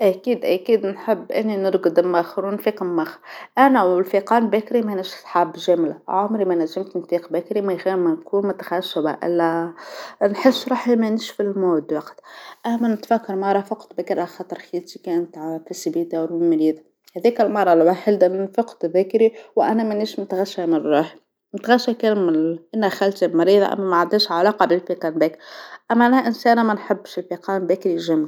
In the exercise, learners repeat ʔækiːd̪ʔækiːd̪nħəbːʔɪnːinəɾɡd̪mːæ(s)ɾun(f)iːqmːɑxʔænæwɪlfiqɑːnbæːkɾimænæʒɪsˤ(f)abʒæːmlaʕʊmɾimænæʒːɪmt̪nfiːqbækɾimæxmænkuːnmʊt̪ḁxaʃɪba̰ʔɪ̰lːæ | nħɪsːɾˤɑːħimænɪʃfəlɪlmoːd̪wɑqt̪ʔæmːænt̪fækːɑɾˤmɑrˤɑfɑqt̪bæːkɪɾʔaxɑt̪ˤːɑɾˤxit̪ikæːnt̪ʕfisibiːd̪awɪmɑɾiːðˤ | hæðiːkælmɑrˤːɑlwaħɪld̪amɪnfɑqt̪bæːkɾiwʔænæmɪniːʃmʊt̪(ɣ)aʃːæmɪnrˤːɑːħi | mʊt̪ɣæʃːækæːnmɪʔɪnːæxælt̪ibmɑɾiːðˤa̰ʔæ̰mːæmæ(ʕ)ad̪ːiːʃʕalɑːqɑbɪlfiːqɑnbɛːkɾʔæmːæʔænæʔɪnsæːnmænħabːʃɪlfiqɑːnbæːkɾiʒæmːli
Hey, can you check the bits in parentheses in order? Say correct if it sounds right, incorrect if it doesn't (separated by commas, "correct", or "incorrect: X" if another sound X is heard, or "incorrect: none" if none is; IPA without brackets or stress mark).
incorrect: x, correct, incorrect: ħ, correct, correct